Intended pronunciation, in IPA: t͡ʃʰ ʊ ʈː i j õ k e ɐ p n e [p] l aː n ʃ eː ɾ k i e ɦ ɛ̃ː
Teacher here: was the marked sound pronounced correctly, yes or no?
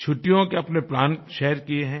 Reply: yes